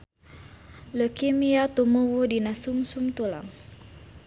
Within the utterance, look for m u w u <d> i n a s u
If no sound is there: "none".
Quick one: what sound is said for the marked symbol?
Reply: d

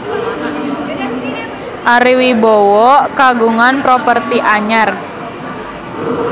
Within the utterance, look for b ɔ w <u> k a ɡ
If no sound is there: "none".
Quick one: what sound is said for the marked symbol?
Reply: ɔ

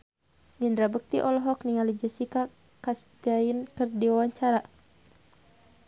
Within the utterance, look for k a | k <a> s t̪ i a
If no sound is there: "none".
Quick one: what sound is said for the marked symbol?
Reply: a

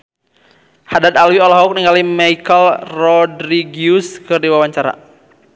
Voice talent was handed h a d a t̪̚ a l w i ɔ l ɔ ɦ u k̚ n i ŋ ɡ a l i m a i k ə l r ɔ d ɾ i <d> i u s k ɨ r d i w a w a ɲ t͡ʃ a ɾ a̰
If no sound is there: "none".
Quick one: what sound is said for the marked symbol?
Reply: ɡ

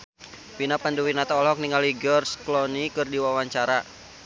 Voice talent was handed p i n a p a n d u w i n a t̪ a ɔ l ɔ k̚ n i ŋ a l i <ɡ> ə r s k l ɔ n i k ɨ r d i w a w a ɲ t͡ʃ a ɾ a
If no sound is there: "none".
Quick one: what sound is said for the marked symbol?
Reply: ɡ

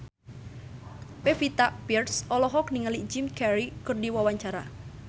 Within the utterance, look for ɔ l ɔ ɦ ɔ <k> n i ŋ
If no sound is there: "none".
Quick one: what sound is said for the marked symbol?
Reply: k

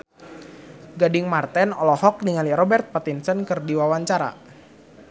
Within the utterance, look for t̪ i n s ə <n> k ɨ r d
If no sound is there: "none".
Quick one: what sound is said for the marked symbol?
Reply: n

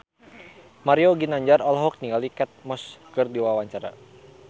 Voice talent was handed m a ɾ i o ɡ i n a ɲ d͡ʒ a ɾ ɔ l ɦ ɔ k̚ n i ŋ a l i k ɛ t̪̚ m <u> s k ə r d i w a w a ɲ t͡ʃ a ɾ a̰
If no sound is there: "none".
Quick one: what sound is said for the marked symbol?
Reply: ɔ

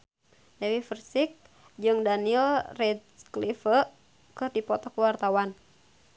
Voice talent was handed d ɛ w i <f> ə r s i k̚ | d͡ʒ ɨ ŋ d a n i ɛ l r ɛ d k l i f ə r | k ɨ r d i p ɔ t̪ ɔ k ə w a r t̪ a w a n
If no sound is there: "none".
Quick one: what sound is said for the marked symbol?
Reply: f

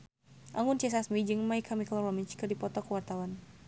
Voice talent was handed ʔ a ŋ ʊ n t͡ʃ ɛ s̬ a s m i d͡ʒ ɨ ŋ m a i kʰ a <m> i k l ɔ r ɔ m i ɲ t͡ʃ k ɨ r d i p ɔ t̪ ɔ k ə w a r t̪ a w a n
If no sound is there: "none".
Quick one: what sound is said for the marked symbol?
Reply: m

